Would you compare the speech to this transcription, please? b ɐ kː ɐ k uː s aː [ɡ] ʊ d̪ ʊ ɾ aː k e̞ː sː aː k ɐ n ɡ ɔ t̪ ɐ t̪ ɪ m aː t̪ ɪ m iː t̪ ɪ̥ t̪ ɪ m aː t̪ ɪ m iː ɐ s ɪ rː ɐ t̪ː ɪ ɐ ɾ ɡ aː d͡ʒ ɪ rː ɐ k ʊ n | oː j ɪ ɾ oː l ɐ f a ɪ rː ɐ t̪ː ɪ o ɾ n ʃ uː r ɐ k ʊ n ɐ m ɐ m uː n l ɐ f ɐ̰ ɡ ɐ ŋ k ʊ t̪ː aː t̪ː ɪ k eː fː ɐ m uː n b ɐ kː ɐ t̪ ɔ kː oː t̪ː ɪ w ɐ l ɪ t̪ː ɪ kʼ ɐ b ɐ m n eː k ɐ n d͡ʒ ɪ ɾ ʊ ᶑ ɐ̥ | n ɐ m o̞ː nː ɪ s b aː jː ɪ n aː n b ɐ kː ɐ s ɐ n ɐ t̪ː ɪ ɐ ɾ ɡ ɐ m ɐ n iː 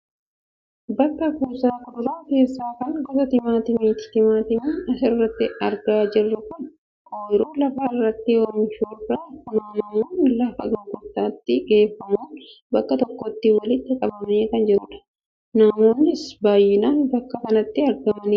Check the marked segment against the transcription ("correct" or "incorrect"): incorrect